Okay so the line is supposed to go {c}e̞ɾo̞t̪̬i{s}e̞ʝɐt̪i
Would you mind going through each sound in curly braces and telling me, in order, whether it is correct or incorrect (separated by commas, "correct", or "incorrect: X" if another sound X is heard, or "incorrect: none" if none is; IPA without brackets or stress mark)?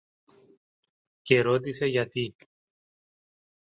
correct, correct